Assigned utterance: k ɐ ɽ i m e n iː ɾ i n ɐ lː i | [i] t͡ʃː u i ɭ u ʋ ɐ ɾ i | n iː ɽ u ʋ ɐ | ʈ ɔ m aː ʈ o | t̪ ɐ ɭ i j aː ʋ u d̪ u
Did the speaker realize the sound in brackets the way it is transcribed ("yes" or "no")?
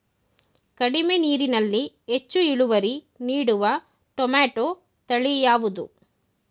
no